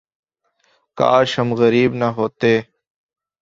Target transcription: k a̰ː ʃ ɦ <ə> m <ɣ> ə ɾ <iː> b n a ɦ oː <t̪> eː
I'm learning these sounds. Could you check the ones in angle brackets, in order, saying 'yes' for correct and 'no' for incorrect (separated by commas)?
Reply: yes, yes, yes, yes